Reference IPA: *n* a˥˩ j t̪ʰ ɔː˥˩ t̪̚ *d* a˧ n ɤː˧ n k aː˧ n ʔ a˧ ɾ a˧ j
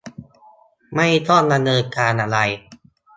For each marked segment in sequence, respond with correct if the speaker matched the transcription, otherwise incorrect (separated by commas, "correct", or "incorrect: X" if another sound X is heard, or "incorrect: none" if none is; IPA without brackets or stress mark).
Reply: incorrect: m, correct